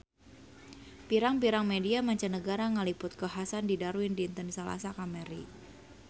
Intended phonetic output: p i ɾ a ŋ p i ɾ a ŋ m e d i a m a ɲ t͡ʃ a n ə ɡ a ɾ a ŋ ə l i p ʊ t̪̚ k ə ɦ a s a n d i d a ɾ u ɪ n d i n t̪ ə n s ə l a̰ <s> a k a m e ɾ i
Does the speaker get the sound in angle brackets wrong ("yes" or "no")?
no